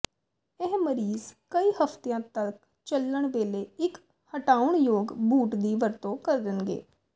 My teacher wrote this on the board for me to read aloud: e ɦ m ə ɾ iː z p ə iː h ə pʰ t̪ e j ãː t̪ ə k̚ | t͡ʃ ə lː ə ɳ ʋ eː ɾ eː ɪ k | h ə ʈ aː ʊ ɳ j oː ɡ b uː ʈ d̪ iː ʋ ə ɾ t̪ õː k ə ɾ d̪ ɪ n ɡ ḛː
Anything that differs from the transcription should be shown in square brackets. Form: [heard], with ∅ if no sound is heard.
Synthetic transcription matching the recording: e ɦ m ə ɾ iː z [k] ə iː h ə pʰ t̪ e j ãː t̪ ə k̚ | t͡ʃ ə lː ə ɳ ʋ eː [l] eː ɪ k | h ə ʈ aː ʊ ɳ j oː ɡ b uː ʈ d̪ iː ʋ ə ɾ t̪ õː k ə ɾ d̪ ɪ n ɡ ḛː